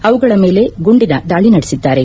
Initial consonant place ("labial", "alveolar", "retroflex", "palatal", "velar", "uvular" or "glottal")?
labial